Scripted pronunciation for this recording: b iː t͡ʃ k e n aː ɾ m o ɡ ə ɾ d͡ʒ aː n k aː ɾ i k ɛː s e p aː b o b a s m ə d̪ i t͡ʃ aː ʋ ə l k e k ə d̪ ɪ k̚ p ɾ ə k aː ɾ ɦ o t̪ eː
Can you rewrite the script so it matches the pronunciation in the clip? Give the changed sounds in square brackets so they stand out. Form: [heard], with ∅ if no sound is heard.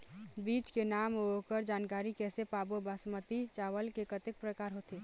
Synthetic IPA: b iː t͡ʃ k e n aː [∅] m o [k] ə ɾ d͡ʒ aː n k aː ɾ i k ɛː s e p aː b o b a s m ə [t̪] i t͡ʃ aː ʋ ə l k e k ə [t̪] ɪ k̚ p ɾ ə k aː ɾ ɦ o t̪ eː